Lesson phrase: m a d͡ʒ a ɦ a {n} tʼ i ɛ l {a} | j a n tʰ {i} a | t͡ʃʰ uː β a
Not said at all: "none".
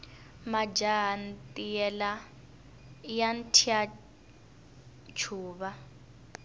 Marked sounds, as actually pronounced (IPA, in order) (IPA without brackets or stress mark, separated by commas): n, a, i